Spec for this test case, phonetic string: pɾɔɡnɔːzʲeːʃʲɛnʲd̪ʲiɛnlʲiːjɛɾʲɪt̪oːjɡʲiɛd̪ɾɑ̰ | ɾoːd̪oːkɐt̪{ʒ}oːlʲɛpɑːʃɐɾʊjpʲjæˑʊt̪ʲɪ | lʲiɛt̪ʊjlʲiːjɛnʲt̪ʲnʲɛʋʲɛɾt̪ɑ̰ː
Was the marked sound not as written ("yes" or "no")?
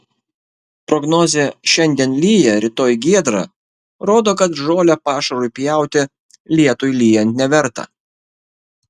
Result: no